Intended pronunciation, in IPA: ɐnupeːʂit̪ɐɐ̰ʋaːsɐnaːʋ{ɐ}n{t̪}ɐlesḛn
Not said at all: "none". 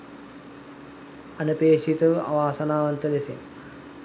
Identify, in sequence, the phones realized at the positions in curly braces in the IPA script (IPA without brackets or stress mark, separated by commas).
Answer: ɐ, t̪